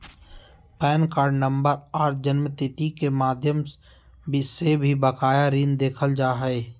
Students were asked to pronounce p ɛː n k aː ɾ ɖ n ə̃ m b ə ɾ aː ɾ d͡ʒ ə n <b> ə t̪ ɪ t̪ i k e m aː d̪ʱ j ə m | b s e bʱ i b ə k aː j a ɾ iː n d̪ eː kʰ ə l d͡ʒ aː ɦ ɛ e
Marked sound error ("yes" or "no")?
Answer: yes